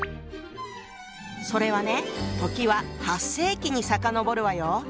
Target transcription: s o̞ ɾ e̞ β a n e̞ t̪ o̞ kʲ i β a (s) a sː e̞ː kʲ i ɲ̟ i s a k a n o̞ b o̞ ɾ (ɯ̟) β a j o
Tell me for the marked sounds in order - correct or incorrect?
incorrect: h, correct

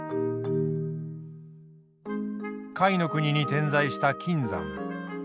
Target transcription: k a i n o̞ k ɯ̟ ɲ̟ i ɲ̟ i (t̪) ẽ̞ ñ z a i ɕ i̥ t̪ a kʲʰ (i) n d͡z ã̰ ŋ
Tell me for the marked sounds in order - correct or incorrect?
correct, incorrect: ĩ

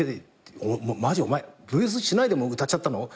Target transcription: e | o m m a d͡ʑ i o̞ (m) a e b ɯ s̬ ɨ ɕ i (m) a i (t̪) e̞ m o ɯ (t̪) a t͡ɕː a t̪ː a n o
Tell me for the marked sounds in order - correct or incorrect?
correct, incorrect: n, incorrect: d̪, correct

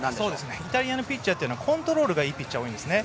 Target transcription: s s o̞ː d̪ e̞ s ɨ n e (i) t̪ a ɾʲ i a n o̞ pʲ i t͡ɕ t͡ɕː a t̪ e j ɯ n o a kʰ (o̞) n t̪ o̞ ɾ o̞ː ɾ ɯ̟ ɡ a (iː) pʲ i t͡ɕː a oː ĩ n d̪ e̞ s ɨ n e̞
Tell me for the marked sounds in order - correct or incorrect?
correct, incorrect: õ̞, correct

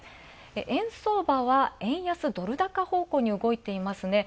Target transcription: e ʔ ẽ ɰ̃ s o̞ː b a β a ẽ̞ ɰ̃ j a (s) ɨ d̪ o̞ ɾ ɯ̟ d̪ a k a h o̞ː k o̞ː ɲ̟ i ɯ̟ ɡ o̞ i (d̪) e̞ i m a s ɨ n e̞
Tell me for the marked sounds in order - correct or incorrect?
correct, incorrect: t̪

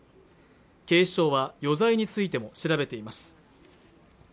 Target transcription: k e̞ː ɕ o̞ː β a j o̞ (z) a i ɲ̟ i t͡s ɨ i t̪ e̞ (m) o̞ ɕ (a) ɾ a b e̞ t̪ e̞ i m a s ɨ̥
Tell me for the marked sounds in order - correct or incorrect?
correct, correct, incorrect: i

